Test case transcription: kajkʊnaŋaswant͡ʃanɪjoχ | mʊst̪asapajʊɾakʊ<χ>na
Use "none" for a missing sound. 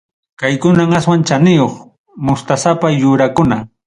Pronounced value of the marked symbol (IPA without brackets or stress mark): none